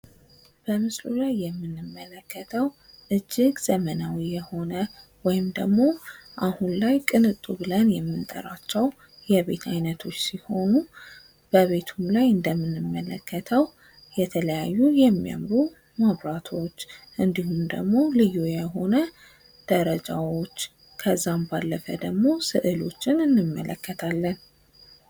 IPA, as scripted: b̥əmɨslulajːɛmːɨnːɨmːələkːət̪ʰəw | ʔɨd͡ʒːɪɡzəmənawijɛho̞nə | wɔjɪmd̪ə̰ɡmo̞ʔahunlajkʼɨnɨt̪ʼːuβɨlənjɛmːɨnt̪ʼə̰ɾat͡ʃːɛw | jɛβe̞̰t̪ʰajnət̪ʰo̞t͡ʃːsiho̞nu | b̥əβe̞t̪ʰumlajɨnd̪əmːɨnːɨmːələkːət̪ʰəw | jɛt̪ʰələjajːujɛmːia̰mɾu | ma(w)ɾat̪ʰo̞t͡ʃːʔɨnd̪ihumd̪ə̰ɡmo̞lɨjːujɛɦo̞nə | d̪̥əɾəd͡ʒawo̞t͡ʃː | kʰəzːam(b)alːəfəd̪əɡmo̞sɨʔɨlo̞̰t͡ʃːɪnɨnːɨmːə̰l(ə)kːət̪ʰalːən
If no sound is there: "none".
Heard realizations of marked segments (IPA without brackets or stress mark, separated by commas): β, b, ə